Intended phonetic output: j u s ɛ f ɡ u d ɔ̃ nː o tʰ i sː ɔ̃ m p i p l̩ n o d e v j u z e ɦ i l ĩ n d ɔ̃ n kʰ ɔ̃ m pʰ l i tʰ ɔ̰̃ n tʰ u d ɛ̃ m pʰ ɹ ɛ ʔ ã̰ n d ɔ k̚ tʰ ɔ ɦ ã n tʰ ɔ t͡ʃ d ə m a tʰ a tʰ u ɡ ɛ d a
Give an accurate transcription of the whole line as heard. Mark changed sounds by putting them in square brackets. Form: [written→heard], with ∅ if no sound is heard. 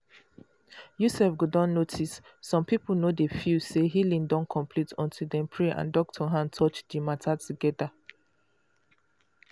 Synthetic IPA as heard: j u s ɛ f ɡ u d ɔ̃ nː o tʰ i sː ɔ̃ m p i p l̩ n o d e [v→f] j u [z→s] e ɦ i l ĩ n d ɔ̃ n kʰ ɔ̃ m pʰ l i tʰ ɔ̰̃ n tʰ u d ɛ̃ m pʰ ɹ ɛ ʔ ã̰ n d ɔ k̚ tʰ ɔ ɦ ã n tʰ ɔ t͡ʃ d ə m a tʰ a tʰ u ɡ ɛ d a